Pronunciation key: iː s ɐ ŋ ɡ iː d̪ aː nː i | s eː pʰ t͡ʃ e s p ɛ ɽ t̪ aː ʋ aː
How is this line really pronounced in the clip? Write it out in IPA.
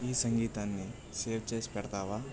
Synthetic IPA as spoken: iː s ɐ ŋ ɡ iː t̪ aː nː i | s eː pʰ t͡ʃ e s p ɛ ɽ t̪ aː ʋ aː

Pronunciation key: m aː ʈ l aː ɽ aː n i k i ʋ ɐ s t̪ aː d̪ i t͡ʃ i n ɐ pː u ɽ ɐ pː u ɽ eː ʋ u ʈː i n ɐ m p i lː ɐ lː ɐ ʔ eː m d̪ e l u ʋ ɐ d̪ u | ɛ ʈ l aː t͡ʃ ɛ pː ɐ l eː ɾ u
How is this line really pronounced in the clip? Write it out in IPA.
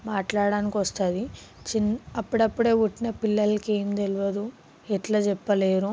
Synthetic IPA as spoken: m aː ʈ l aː ɽ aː n i k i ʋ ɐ s t̪ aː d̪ i t͡ʃ i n ɐ pː u ɽ ɐ pː u ɽ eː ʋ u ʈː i n ɐ p i lː ɐ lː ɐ k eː m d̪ e l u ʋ ɐ d̪ u | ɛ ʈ l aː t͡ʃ ɛ pː ɐ l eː ɾ u

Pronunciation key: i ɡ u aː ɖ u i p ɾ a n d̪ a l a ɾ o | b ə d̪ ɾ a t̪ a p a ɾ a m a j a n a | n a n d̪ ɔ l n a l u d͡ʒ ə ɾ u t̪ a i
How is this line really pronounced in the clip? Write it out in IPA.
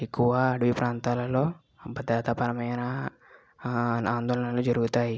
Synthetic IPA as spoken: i k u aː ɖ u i p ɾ a n t̪ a l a l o | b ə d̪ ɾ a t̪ a p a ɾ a m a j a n a | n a n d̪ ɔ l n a l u d͡ʒ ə ɾ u t̪ a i

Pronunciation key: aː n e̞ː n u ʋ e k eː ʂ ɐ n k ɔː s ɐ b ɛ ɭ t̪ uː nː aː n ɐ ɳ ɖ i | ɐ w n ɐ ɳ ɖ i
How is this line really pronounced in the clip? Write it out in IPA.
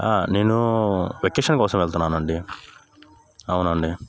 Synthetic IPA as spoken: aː n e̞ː n u ʋ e k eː ʂ ɐ n k ɔː s ɐ m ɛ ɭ t̪ u nː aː n ɐ ɳ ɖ i | ɐ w n ɐ ɳ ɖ i

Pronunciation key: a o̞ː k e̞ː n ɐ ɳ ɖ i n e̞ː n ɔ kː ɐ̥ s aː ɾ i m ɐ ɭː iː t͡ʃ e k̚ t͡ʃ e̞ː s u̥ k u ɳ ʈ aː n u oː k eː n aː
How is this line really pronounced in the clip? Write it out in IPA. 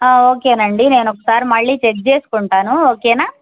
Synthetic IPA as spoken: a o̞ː k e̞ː n ɐ ɳ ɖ i n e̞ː n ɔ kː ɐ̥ s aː ɾ i m ɐ ɭː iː t͡ʃ e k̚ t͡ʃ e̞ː s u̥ k u ɳ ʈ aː n u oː k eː n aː

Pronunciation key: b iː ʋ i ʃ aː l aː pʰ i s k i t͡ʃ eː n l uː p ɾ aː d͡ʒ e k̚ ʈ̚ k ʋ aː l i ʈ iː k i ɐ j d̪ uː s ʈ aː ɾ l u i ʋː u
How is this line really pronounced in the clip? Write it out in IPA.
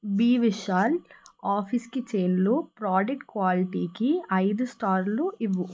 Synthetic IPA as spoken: b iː ʋ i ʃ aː l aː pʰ i s k i t͡ʃ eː n l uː p ɾ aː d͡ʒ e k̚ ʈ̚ k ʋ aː l i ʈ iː k i ɐ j d̪ u s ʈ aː ɾ l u i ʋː u

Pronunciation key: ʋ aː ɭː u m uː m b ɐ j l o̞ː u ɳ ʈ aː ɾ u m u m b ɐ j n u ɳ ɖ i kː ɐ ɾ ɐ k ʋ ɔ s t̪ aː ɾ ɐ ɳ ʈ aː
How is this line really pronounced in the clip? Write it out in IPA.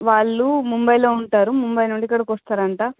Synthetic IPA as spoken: ʋ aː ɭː u m u m b ɐ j l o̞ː u ɳ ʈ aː ɾ u m u m b ɐ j n u ɳ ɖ i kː ɐ ɽ ɐ k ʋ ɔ s t̪ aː ɾ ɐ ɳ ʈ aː

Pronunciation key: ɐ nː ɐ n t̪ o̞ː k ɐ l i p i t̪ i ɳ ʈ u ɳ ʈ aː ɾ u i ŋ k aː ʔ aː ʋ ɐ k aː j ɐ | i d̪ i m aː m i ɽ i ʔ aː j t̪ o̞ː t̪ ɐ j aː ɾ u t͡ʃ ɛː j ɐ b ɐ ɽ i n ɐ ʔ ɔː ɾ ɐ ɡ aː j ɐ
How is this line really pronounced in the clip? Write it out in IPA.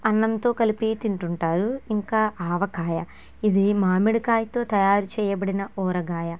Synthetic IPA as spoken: ɐ nː ɐ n t̪ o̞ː k ɐ l i p i t̪ i ɳ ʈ u ɳ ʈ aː ɾ u i ŋ k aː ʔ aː ʋ ɐ k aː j ɐ | i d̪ i m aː m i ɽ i k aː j t̪ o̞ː t̪ ɐ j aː ɾ u t͡ʃ ɛː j ɐ b ɐ ɽ i n ɐ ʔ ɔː ɾ ɐ ɡ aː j ɐ

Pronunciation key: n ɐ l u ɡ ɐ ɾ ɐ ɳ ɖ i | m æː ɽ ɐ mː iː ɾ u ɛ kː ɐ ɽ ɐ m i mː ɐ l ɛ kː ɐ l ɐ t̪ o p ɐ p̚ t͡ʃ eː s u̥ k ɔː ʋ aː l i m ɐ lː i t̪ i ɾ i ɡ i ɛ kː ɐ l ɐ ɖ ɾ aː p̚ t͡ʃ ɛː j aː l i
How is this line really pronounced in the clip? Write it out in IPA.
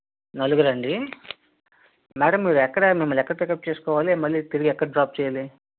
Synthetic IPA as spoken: n ɐ l u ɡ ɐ ɾ ɐ ɳ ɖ i | m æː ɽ ɐ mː iː ɾ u ɛ kː ɐ ɽ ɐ m i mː ɐ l ɛ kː ɐ ɽ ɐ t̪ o k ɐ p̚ t͡ʃ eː s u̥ k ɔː ʋ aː l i m ɐ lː i t̪ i ɾ i ɡ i ɛ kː ɐ ɽ ɐ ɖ ɾ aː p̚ t͡ʃ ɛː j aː l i

